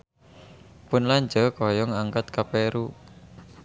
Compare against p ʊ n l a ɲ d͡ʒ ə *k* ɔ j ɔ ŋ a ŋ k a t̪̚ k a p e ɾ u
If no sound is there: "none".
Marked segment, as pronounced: k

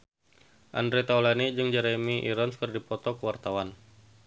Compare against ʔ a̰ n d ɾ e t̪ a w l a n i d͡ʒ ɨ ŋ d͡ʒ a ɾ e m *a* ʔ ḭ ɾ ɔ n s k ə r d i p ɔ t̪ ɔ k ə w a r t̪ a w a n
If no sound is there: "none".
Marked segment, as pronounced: i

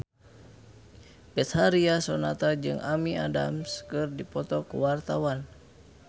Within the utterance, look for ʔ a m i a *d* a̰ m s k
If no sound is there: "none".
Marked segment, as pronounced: d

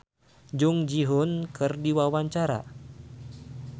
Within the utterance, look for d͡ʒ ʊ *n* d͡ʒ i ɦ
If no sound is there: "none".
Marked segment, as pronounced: ŋ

